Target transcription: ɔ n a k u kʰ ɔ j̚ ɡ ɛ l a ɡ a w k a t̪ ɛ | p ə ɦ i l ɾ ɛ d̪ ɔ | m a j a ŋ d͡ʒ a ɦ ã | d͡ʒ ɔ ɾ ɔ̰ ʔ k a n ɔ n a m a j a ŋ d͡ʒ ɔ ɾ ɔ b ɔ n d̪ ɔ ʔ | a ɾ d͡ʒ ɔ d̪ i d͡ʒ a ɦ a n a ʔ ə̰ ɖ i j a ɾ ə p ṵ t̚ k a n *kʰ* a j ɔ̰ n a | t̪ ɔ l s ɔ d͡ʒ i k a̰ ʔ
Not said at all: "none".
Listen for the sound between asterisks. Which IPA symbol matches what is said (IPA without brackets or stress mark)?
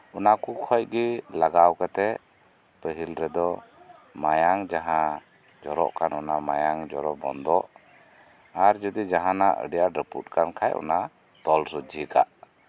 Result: kʰ